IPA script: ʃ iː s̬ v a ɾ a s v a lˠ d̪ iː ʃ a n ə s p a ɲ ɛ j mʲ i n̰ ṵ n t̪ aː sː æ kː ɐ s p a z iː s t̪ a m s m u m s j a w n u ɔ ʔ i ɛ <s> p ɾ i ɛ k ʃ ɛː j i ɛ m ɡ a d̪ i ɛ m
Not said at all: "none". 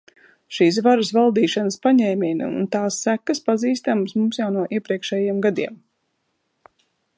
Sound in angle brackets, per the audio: none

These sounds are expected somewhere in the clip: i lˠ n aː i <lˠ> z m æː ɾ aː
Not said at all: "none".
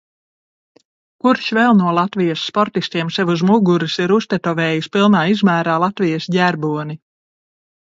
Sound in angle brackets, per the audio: none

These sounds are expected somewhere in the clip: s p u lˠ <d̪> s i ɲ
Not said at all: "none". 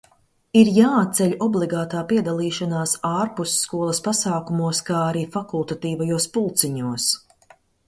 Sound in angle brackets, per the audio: t̪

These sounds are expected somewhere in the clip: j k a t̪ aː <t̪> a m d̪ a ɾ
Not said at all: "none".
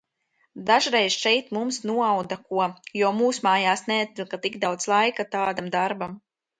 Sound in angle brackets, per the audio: d̪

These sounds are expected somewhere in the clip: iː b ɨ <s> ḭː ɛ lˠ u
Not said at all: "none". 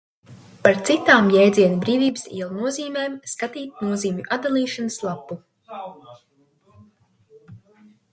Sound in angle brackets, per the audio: s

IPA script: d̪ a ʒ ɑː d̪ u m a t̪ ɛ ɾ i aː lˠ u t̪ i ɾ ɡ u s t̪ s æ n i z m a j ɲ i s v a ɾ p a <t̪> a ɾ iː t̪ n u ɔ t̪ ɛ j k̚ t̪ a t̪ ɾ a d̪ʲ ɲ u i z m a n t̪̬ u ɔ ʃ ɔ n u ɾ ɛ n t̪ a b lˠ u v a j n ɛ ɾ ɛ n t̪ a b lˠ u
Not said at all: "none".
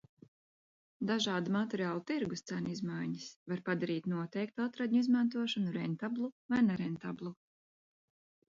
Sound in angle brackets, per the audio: d̪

